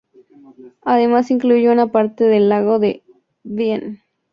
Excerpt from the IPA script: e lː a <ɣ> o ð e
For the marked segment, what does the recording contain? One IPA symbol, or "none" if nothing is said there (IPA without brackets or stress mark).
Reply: ɣ